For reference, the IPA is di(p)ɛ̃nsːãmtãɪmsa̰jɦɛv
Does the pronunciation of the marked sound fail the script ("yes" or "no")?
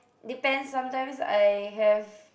no